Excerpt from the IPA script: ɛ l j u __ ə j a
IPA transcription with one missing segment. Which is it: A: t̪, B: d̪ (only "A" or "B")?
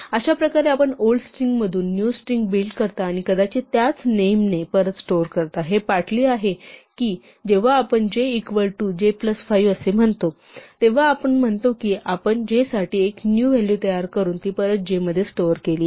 A